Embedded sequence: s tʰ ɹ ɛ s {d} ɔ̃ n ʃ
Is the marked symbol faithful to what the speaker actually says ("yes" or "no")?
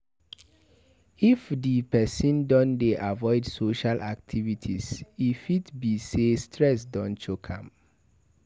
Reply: yes